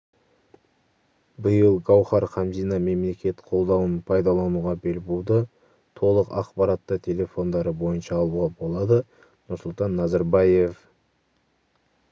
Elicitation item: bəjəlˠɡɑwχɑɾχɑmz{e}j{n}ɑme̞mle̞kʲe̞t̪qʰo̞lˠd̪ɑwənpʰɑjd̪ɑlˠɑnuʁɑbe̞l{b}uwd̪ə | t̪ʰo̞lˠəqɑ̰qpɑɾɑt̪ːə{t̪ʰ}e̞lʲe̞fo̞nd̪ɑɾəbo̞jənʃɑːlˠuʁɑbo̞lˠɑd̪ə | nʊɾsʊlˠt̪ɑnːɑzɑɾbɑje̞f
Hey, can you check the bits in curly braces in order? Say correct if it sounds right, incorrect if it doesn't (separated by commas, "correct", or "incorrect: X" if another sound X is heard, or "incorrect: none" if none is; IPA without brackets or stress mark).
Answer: incorrect: i, correct, correct, correct